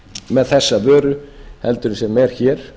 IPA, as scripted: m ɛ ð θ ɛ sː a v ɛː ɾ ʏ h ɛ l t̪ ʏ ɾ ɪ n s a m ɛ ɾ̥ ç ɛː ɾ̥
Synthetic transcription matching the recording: m ɛ ð θ ɛ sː a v œː ɾ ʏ h ɛ l t̪ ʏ ɾ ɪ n s ɛ m ɛ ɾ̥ ç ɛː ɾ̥